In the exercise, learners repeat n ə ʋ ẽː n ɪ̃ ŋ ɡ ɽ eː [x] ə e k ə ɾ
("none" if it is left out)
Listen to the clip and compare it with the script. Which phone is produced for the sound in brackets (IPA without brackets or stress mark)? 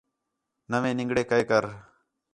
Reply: k